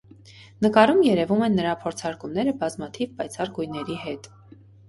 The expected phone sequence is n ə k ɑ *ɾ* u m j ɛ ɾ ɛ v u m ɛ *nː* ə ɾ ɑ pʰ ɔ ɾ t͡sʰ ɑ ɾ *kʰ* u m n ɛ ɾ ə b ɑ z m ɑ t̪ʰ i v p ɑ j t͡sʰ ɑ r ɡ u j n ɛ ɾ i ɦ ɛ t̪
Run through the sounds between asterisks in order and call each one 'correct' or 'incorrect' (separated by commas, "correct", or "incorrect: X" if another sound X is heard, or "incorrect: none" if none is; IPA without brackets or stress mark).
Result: correct, correct, incorrect: k